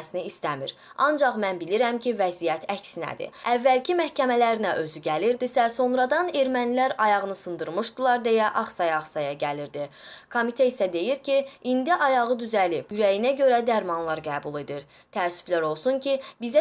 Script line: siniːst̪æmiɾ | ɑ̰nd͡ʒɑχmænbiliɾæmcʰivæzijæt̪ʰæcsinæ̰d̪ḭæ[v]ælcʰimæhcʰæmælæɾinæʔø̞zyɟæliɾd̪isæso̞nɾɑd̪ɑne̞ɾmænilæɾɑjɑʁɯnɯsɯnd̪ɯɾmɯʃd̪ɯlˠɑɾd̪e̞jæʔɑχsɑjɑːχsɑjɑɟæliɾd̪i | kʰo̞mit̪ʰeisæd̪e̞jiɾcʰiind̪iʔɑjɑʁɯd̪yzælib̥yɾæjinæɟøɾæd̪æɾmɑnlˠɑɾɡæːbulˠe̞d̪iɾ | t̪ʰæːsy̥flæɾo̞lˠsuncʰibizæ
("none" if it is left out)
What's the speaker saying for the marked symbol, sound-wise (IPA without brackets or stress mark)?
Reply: vː